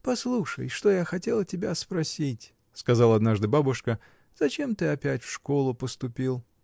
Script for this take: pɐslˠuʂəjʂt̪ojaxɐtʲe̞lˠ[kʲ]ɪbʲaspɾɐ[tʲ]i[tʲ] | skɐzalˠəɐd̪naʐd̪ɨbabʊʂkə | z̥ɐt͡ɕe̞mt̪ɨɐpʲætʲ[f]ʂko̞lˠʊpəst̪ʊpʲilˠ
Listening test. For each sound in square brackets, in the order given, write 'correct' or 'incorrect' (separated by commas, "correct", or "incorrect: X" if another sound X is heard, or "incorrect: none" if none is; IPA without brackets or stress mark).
incorrect: tʲ, incorrect: sʲ, correct, correct